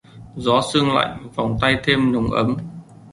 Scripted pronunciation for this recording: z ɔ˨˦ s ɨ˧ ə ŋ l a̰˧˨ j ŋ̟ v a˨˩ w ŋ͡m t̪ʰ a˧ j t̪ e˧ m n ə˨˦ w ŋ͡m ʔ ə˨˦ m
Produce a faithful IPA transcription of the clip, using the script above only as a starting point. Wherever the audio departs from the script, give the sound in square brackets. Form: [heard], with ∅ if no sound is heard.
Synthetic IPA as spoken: z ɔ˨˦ s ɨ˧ ə ŋ l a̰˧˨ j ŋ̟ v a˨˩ w ŋ͡m [t̪] a˧ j [t̪ʰ] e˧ m n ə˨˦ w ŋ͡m ʔ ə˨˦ m